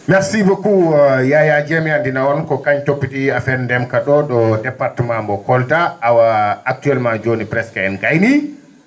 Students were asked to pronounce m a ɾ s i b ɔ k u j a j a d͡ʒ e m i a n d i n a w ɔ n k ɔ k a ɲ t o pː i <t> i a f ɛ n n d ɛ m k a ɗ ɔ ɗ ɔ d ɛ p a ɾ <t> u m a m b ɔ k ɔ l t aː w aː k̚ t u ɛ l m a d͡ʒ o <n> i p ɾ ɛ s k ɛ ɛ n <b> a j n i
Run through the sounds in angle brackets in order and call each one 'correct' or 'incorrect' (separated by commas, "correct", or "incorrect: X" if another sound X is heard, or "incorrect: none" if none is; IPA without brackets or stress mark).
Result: correct, correct, correct, incorrect: ɡ